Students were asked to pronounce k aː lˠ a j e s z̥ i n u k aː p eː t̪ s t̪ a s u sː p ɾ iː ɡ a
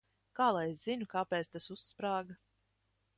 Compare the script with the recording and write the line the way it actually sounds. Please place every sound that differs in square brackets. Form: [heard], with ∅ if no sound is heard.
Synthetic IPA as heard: k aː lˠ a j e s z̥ i n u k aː p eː t̪ s t̪ a s u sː p ɾ [aː] ɡ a